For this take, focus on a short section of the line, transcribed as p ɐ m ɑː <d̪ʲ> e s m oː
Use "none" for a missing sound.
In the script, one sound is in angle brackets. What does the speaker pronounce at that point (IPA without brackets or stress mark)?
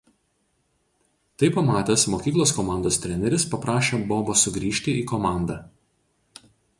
t̪ʲ